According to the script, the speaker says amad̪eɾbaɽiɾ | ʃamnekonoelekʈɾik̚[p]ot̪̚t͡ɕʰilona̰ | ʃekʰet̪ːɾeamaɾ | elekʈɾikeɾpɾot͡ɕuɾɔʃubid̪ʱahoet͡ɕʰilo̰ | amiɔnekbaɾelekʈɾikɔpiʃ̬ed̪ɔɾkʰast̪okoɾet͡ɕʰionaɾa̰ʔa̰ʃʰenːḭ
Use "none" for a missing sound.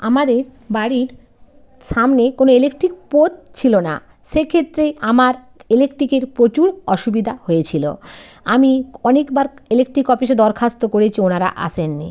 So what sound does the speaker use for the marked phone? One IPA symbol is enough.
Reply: p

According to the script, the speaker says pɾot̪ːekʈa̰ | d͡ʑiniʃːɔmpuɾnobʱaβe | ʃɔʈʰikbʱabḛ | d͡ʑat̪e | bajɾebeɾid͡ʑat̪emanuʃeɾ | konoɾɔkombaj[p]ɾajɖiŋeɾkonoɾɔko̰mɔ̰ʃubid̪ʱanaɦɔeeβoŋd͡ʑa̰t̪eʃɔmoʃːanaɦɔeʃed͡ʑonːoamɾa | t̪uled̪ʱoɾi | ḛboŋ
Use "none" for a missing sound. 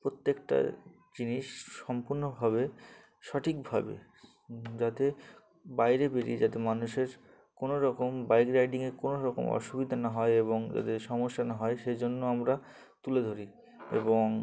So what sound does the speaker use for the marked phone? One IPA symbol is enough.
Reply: k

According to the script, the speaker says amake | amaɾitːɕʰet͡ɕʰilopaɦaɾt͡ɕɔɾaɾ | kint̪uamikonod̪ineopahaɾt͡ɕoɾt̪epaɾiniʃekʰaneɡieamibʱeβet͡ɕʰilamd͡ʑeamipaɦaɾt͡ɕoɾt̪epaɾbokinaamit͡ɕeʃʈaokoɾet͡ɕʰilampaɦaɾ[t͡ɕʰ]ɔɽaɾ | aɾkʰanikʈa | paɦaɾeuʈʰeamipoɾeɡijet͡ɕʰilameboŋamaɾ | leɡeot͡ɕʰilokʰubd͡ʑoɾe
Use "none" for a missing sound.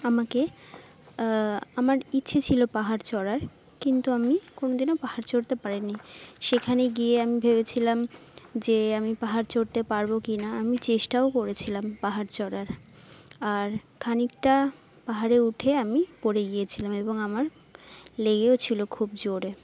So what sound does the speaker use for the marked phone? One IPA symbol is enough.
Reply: t͡ɕ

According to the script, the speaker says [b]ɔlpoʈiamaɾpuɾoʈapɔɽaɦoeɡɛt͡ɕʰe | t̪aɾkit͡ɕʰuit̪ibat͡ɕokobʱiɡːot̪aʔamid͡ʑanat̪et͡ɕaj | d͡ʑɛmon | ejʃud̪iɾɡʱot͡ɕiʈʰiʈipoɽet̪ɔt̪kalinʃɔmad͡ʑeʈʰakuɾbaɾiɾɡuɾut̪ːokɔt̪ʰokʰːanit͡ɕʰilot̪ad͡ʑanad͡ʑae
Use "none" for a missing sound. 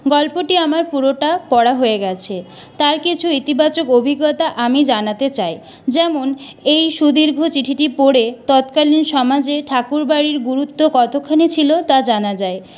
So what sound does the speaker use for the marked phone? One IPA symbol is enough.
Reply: ɡ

